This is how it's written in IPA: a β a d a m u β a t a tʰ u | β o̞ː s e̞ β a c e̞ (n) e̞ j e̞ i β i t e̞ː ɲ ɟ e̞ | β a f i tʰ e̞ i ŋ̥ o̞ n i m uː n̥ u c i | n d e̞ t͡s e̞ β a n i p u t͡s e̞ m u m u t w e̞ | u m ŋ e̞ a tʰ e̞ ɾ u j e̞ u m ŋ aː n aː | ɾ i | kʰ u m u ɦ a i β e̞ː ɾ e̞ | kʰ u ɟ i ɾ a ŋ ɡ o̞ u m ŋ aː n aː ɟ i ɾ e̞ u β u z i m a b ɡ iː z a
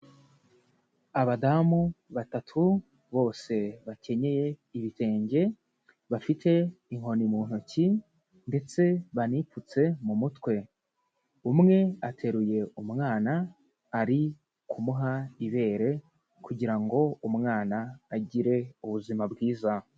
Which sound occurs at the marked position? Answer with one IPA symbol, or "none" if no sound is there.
ɲ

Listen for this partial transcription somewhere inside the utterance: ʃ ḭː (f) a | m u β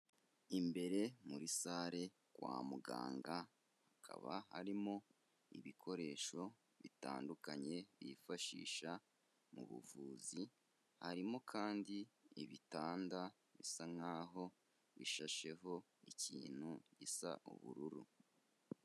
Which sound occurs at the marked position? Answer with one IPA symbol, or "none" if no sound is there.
ʃ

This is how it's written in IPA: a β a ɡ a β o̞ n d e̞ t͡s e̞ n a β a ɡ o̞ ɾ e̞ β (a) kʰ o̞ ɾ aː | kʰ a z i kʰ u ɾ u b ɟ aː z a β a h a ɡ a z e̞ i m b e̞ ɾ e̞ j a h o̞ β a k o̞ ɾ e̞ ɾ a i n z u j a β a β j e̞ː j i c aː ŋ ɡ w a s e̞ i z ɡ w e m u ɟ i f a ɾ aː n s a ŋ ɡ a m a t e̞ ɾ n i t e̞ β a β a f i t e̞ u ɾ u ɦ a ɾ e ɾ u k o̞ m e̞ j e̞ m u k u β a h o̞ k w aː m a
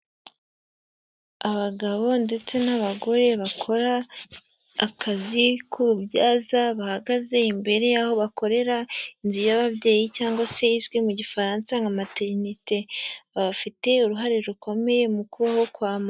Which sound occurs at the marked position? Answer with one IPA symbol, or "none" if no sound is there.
a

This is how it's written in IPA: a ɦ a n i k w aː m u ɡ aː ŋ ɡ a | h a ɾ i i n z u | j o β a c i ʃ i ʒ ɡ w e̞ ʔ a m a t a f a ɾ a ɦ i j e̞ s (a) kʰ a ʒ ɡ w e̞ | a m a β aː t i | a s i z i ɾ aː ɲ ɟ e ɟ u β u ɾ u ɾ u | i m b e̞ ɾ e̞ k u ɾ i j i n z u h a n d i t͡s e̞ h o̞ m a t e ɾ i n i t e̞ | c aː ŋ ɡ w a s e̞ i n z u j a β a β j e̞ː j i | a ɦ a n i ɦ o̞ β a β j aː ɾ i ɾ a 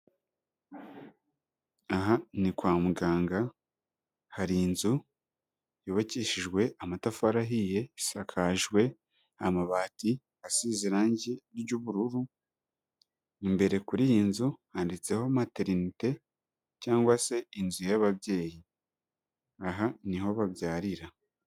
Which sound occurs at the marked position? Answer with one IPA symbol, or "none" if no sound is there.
a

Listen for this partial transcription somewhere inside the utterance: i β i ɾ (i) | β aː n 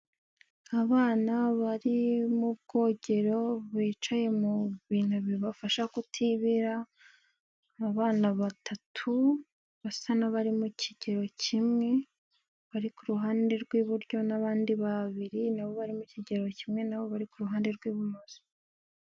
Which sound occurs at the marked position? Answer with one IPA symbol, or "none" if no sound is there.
a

